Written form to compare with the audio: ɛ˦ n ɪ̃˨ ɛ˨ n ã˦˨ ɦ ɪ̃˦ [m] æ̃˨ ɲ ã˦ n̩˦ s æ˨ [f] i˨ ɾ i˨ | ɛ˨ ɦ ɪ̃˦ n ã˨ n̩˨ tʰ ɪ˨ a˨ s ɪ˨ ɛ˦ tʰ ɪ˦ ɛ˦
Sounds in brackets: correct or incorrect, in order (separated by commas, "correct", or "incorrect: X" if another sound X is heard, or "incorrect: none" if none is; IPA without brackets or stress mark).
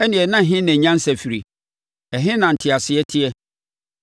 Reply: incorrect: n, correct